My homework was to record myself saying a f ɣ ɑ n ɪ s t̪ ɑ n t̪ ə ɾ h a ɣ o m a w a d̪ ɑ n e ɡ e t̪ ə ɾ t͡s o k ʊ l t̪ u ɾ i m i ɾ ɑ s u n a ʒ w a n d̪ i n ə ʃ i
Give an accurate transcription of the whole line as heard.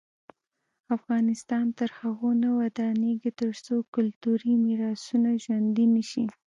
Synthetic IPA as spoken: a f ɣ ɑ n ɪ s t̪ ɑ n t̪ ə ɾ h a ɣ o n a w a d̪ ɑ n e ɡ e t̪ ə ɾ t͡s o k ʊ l t̪ u ɾ i m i ɾ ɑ s u n a ʒ w a n d̪ i n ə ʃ i